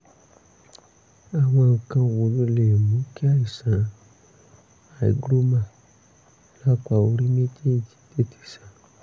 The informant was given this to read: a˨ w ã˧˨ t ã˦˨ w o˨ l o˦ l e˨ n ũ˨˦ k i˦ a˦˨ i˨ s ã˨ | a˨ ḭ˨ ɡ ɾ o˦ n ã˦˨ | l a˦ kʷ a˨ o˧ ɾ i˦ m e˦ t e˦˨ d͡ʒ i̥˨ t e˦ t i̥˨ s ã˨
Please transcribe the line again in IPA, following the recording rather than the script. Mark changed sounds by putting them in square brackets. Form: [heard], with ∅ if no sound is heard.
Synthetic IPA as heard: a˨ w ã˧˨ [k] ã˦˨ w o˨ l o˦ l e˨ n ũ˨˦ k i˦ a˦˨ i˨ s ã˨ | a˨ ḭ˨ ɡ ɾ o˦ [m] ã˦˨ | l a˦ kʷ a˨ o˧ ɾ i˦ m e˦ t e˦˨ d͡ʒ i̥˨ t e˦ t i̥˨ s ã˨

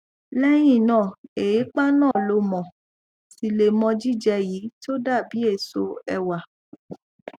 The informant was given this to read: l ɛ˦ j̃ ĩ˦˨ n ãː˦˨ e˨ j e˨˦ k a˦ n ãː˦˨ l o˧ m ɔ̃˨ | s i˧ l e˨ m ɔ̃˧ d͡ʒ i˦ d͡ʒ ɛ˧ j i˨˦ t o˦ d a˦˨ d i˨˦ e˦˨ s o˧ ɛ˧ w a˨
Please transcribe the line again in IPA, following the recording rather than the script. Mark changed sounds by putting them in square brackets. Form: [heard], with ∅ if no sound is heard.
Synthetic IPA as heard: l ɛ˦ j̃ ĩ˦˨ n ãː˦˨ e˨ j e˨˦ [k͡p] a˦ n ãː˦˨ l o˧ m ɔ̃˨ | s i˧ l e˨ m ɔ̃˧ d͡ʒ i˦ d͡ʒ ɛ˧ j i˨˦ t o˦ d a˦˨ [b] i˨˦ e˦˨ s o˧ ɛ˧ w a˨

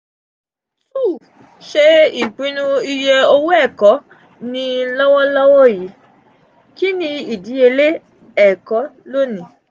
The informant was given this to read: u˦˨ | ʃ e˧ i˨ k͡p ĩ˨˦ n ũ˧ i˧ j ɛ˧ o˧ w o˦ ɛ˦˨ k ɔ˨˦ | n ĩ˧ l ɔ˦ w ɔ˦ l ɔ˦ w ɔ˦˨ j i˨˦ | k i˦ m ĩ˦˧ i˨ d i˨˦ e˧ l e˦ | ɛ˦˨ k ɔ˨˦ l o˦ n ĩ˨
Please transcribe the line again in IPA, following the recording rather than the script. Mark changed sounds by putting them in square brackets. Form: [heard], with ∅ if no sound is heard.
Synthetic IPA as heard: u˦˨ | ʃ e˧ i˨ k͡p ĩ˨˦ n ũ˧ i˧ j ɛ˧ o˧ w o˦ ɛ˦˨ k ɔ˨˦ | n ĩ˧ l ɔ˦ w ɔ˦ l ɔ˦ w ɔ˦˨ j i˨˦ | k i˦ [n] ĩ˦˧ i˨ d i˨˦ e˧ l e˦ | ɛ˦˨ k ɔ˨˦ l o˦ n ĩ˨

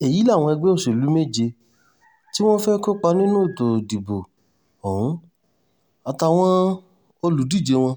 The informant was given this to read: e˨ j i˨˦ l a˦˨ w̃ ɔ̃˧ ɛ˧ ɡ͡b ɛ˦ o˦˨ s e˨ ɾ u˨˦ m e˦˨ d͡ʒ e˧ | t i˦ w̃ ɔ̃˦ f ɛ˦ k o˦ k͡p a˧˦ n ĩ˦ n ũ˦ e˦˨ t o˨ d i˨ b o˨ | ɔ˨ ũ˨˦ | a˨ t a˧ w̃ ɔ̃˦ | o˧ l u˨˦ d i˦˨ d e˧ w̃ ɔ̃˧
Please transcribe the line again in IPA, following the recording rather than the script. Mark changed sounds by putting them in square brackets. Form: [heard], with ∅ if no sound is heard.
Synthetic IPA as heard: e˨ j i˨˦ l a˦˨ w̃ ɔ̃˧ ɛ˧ ɡ͡b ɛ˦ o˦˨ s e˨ [l] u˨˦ m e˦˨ d͡ʒ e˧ | t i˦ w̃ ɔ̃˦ f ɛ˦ k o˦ k͡p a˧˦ n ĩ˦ n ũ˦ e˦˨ t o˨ d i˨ b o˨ | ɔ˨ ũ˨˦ | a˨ t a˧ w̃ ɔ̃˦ | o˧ l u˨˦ d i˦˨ [d͡ʒ] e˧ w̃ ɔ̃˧

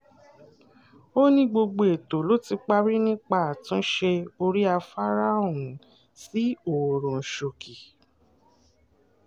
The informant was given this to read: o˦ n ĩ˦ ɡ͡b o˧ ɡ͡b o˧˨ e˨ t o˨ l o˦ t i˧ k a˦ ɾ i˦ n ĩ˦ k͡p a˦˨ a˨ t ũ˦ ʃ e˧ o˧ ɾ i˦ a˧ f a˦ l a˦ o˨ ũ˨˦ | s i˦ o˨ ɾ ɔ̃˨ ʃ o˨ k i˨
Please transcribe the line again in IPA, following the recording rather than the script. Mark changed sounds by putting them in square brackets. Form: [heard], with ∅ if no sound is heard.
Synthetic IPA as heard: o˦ n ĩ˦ ɡ͡b o˧ ɡ͡b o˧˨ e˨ t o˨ l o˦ t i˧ [k͡p] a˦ ɾ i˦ n ĩ˦ k͡p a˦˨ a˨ t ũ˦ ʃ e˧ o˧ ɾ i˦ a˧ f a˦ [ɾ] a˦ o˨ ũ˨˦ | s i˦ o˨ ɾ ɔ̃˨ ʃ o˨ k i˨

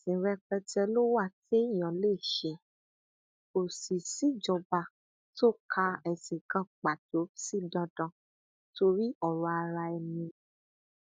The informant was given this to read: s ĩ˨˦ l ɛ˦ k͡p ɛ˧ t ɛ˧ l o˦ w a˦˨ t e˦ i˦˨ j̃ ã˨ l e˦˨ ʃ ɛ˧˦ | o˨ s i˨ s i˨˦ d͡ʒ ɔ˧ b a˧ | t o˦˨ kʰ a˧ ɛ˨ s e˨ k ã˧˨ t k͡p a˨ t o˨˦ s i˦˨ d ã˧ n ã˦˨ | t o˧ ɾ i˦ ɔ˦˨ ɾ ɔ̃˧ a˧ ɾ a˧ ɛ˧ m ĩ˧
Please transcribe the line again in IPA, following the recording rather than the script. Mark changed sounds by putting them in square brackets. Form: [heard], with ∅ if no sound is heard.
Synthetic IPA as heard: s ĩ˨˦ [ɾ] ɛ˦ k͡p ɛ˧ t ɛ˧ l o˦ w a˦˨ t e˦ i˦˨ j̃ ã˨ l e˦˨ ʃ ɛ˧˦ | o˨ s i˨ s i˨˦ d͡ʒ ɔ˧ b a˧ | t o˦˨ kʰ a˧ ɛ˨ s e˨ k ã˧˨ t k͡p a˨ t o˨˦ s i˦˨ d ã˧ [d] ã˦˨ | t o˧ ɾ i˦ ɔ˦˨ ɾ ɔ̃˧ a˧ ɾ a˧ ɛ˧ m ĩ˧

